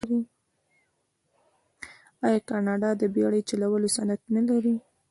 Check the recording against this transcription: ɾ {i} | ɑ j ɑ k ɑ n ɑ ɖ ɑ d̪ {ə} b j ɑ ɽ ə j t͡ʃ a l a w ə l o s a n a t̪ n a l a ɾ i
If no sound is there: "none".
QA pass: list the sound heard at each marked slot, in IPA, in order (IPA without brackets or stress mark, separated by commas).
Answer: i, ə